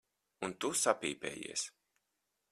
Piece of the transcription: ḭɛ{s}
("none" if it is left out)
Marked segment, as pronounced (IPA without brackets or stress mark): s